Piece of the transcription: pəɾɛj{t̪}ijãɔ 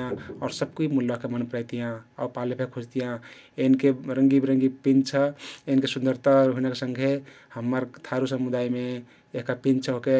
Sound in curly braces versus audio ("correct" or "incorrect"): correct